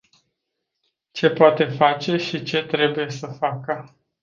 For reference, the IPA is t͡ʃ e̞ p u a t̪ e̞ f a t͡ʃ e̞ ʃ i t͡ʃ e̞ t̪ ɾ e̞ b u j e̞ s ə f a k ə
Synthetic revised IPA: t͡ʃ e̞ p o a t̪ e̞ f a t͡ʃ e̞ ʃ i t͡ʃ e̞ t̪ ɾ e̞ b u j e̞ s ə f a k ə